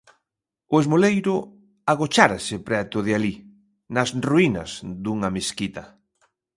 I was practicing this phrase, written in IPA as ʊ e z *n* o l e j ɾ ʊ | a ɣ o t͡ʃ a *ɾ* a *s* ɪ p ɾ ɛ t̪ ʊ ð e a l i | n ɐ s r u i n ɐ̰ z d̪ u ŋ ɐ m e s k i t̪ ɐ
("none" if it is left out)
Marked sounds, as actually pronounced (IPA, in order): m, ɾ, s

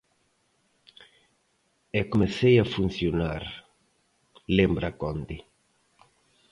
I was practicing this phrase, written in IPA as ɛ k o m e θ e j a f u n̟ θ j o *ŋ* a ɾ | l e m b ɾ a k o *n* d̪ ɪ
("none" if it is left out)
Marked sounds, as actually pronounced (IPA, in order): n, n

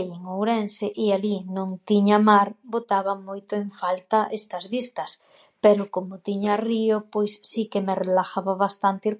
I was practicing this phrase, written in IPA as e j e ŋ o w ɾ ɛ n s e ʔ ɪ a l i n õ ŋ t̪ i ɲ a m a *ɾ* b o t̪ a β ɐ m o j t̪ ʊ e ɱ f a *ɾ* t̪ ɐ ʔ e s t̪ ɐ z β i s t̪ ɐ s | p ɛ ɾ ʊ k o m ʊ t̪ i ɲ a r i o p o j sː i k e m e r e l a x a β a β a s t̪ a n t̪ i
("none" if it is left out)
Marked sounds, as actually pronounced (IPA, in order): ɾ, l

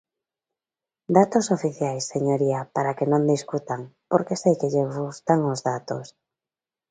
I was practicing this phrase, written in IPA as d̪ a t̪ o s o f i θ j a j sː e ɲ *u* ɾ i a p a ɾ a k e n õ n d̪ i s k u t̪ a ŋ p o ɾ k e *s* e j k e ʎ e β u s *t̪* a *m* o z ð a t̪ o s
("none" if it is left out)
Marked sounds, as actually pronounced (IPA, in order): o, s, t̪, ŋ

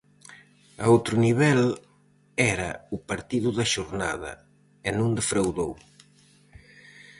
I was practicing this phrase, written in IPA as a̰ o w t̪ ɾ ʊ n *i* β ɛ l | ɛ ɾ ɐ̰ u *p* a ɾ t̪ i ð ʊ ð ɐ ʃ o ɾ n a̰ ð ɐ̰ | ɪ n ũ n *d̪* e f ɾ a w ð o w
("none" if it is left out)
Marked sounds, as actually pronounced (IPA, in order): i, p, d̪

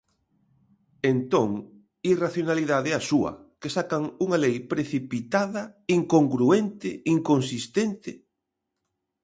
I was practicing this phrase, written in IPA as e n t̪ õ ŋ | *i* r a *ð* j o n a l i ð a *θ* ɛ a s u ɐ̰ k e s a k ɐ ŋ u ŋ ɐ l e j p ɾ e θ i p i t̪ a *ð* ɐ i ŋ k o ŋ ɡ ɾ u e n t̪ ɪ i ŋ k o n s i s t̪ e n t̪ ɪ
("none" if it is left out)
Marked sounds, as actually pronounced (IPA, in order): i, θ, ð, ð

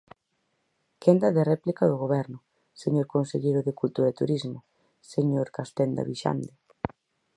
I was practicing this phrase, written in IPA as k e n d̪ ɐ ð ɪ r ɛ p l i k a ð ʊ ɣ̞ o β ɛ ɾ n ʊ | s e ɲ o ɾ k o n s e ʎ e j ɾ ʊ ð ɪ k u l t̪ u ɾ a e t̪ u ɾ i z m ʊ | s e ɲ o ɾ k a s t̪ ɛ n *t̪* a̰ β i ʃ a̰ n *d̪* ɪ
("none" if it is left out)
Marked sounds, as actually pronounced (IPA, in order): d̪, d̪

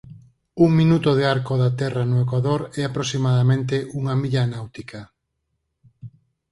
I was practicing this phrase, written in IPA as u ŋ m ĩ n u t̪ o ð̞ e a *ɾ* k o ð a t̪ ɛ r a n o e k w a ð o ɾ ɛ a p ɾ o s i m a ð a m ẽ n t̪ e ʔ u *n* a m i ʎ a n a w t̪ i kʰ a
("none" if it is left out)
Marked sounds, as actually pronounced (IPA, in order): ɾ, ŋ

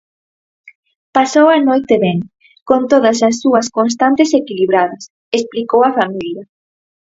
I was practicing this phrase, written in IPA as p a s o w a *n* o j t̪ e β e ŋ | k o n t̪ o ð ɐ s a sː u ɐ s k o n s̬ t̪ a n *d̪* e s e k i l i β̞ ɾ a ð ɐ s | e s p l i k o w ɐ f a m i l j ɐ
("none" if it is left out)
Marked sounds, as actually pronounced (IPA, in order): n, t̪

